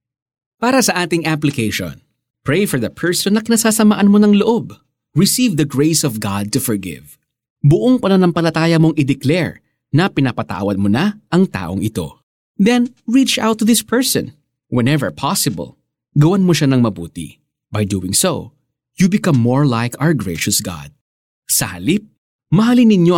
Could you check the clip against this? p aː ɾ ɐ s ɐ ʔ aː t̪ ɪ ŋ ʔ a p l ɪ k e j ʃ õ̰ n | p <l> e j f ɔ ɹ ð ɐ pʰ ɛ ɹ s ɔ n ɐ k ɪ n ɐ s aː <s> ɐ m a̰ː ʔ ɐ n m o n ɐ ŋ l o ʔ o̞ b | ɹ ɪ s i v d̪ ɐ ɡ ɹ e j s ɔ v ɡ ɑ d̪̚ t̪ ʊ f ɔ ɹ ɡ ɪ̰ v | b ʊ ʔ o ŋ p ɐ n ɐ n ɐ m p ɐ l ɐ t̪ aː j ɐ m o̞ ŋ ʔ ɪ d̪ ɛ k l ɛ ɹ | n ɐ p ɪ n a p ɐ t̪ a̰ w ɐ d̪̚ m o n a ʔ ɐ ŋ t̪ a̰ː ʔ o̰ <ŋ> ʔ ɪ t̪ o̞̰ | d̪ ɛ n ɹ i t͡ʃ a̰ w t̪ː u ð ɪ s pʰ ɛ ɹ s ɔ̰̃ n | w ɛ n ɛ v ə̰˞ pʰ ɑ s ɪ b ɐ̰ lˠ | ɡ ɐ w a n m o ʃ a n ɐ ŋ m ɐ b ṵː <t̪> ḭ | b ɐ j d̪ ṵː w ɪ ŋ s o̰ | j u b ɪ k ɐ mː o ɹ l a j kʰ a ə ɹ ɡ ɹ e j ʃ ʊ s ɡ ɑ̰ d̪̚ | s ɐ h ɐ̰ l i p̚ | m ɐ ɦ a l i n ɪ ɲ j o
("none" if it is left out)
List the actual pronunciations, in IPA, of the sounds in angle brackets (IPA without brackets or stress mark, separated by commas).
ɹ, s, ŋ, t̪